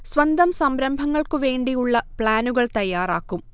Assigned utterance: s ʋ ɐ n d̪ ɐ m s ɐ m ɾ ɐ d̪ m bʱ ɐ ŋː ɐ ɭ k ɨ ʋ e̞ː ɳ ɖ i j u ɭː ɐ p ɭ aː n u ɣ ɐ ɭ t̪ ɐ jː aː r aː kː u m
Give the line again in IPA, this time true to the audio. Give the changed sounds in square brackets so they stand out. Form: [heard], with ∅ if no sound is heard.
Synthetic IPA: s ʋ ɐ n d̪ ɐ m s ɐ m ɾ ɐ [∅] m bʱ ɐ ŋː ɐ ɭ k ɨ ʋ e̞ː ɳ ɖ i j u ɭː ɐ p ɭ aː n u ɣ ɐ ɭ t̪ ɐ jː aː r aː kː u m